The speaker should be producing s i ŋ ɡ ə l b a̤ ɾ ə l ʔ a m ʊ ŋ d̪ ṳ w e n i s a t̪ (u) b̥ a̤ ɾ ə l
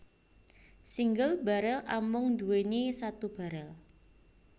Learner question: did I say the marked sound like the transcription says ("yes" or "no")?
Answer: yes